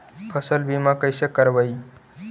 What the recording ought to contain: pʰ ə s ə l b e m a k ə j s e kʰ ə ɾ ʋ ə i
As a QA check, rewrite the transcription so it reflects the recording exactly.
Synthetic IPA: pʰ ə s ə l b i m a k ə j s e k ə ɾ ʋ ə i